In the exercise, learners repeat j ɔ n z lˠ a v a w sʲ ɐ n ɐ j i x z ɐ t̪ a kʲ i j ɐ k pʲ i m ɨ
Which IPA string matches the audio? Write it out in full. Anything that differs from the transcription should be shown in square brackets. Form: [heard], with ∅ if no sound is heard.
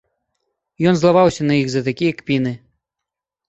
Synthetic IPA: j ɔ n z lˠ a v a w sʲ ɐ n ɐ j i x z ɐ t̪ a kʲ i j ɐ k pʲ i [n] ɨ